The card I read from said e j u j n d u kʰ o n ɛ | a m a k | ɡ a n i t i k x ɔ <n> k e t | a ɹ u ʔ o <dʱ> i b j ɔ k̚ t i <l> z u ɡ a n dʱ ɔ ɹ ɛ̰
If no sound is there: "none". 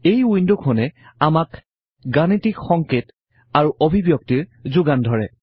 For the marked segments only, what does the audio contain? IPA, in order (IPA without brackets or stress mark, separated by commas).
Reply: ŋ, bʱ, ɹ